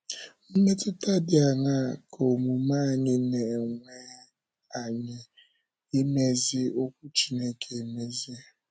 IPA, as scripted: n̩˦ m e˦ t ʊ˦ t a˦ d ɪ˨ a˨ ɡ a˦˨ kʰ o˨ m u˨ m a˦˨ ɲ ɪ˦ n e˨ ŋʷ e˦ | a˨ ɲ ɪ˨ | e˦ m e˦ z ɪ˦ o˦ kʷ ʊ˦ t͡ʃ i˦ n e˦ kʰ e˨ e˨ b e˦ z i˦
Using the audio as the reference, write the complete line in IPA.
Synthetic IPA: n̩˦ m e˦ t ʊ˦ t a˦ d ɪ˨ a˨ ŋ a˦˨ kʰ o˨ m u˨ m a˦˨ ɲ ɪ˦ n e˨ ŋʷ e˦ | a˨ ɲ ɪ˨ | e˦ m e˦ z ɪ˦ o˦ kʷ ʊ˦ t͡ʃ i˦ n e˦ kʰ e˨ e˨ m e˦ z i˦